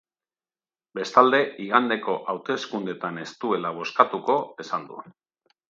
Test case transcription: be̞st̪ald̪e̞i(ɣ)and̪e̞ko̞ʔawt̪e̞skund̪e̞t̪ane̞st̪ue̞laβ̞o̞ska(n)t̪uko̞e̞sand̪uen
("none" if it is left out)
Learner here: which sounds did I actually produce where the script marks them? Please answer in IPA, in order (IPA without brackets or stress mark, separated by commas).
ɣ, none